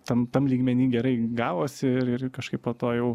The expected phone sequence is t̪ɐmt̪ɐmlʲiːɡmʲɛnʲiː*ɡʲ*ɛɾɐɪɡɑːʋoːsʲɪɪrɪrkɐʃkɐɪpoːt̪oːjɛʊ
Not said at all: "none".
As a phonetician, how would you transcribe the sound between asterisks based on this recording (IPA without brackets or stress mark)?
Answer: ɡʲ